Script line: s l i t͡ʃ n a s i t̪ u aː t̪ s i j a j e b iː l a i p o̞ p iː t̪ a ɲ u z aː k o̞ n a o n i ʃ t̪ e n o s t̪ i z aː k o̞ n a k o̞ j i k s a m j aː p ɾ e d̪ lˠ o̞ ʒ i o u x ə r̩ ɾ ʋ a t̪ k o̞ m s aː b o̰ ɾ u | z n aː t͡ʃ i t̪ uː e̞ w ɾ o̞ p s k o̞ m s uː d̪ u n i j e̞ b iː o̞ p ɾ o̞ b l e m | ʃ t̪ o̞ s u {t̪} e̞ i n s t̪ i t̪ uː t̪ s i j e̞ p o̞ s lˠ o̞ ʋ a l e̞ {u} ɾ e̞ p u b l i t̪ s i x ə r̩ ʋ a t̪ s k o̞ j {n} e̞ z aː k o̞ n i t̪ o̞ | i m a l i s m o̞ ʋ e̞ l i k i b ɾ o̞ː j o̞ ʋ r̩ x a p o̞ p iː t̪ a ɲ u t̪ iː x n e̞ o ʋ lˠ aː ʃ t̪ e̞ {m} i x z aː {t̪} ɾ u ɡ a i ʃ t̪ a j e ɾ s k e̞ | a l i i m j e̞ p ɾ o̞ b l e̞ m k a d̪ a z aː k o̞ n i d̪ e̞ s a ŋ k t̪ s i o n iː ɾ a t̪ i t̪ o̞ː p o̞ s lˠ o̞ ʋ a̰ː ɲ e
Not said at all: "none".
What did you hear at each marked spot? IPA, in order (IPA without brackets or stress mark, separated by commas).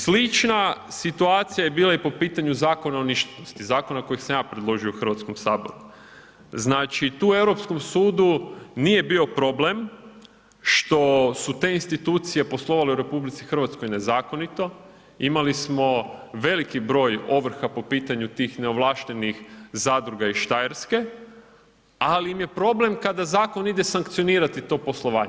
t̪, u, n, n, d̪